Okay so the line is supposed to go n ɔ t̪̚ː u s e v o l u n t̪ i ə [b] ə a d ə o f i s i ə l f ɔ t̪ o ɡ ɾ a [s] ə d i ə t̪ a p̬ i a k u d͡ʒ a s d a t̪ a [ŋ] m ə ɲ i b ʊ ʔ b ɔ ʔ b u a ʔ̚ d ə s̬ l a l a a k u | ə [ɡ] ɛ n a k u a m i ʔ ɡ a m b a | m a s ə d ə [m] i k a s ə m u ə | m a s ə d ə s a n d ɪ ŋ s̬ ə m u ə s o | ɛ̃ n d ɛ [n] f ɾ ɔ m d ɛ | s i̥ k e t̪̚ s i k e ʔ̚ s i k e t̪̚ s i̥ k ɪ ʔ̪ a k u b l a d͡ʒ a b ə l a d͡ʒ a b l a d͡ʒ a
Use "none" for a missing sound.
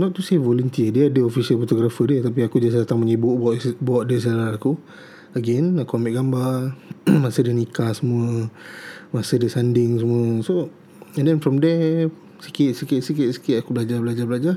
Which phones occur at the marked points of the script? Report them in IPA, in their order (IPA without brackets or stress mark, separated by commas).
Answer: d, f, ŋ, ɡ, n, n